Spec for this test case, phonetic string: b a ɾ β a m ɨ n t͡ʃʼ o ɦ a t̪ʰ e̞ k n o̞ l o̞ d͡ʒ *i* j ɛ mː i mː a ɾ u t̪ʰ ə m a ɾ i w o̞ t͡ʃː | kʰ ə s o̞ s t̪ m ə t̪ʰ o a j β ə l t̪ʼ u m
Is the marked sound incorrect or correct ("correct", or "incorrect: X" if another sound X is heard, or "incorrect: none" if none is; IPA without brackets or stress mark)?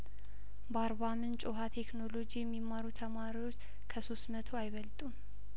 correct